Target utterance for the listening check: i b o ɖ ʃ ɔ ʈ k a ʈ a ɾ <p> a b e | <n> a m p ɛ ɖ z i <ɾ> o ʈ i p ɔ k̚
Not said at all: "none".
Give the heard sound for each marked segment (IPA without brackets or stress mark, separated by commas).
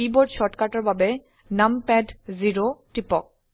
b, n, ɾ